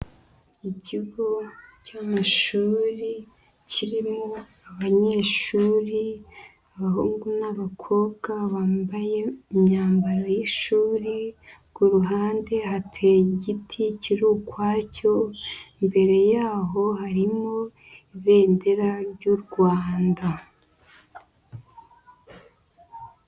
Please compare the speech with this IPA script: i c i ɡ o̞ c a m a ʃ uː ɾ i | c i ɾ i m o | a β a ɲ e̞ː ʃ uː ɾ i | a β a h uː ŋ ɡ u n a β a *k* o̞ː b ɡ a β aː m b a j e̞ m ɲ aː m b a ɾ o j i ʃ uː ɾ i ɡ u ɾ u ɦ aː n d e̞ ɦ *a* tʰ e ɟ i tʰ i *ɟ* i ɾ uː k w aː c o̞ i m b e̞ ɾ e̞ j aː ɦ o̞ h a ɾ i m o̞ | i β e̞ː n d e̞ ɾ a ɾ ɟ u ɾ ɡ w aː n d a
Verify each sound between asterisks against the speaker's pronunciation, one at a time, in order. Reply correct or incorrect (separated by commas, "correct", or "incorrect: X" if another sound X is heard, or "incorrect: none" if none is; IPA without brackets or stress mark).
incorrect: kʰ, correct, incorrect: c